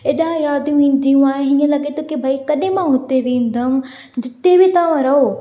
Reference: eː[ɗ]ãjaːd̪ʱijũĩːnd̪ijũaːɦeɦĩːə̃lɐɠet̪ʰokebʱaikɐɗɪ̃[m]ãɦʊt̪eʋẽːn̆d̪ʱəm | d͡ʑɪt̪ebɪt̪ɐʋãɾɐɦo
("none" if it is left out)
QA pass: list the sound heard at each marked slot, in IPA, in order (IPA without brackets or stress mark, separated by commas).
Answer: ɗ, m